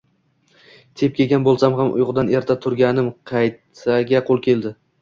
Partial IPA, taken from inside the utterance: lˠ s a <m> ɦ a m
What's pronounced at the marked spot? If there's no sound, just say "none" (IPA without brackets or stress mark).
m